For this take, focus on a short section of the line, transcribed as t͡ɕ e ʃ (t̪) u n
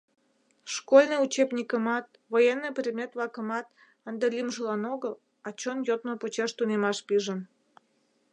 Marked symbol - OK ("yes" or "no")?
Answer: yes